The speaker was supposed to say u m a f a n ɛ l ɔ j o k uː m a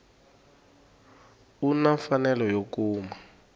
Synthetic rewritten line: u n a f a n ɛ l ɔ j o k uː m a

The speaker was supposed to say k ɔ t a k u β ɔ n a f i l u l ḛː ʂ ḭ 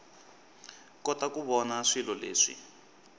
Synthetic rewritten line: k ɔ t a k u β ɔ n a ʂ i l ɔ l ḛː ʂ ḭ

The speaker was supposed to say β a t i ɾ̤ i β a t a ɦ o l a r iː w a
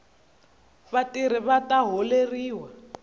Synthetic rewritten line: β a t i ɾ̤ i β a t a ɦ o l e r iː w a

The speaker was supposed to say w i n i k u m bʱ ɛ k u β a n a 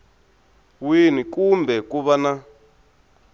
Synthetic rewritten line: w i n i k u m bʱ ɛ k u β a n a

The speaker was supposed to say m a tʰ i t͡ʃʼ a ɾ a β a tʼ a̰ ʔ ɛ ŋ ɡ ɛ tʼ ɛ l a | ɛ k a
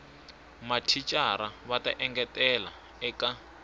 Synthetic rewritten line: m a tʰ i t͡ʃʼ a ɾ a β a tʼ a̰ ʔ ɛ ŋ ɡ ɛ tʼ ɛ l a | ɛ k a

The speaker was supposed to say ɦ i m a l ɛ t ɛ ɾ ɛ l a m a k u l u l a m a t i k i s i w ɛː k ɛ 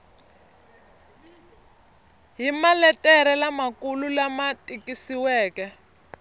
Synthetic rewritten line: ɦ i m a l ɛ t ɛ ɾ ɛ l a m a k u l u l a m a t i k i s i w ɛː k ɛ

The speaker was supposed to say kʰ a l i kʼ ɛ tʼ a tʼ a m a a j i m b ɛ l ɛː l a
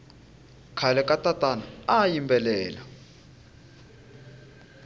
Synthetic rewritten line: kʰ a l ɛ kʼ a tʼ a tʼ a n a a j i m b ɛ l ɛː l a

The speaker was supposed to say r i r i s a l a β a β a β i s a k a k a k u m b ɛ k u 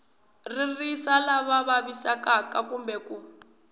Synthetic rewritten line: r i r i s a l a β a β a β i s a k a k a k u m b ɛ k u

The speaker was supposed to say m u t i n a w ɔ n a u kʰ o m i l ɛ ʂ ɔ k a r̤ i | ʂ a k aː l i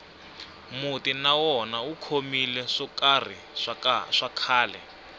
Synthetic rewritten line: m u t i n a w ɔ n a u kʰ o m i l ɛ ʂ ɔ k a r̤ i | ʂ a kʰ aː l ɛ

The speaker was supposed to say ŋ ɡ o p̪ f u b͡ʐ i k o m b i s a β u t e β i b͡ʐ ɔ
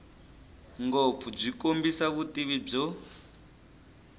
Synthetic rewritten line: ŋ ɡ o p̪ f u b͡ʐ i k o m b i s a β u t i β i b͡ʐ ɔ

